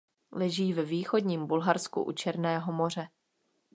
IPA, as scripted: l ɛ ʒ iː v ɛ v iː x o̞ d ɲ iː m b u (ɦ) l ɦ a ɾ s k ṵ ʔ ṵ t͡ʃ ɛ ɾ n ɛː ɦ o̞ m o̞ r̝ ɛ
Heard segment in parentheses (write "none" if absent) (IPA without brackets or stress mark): none